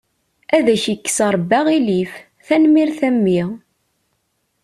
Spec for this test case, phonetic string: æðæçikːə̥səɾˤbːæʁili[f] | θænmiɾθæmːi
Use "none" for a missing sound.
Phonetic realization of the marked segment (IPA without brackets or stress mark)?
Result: f